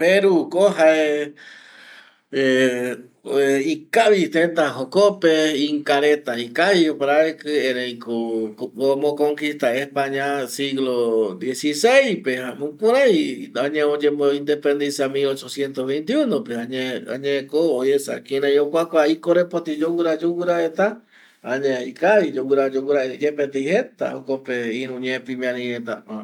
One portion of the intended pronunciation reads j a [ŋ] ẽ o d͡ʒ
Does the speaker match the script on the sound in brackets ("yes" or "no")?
no